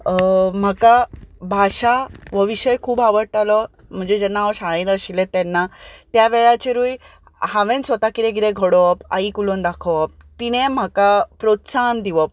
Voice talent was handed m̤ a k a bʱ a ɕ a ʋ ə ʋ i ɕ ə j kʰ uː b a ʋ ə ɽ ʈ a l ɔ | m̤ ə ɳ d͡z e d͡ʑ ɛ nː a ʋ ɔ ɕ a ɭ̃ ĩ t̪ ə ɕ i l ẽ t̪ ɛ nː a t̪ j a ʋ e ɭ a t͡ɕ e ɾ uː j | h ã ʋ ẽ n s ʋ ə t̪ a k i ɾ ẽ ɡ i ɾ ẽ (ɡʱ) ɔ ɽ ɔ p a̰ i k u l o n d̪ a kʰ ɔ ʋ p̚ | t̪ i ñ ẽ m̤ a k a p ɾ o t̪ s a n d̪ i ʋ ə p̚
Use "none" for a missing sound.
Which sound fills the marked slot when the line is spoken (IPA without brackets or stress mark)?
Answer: ɡʱ